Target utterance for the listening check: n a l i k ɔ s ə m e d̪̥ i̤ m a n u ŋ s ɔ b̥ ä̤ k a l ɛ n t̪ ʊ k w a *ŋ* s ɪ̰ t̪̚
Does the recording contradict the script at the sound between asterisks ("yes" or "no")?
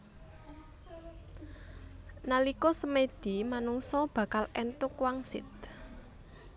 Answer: no